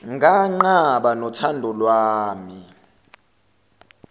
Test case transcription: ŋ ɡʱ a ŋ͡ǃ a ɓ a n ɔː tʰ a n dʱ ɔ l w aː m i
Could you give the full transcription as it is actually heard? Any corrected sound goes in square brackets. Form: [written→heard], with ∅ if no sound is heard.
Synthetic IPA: ŋ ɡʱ a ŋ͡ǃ a ɓ a n [ɔː→ɔ] tʰ a n dʱ ɔ l w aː m i